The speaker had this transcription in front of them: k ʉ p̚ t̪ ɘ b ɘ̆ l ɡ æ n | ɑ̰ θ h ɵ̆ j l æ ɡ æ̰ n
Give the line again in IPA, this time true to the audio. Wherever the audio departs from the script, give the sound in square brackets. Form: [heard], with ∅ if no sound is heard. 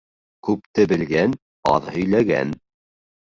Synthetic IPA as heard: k ʉ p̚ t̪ ɘ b ɘ̆ l ɡ æ n | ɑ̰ [ð] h ɵ̆ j l æ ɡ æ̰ n